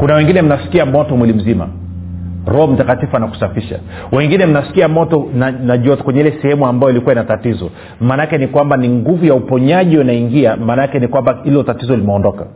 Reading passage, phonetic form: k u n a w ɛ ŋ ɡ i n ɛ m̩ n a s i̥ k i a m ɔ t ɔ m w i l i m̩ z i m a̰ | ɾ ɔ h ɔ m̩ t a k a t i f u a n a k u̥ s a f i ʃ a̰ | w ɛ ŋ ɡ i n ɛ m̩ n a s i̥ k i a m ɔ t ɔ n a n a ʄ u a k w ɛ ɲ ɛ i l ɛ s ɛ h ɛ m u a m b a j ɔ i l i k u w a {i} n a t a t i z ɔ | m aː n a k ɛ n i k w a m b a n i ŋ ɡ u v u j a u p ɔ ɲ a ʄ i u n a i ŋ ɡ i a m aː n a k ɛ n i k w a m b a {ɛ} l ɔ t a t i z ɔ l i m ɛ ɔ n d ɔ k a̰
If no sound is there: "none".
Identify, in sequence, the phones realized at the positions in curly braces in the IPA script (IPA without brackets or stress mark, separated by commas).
i, i